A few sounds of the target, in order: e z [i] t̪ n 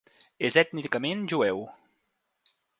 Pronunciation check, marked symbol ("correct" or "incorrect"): incorrect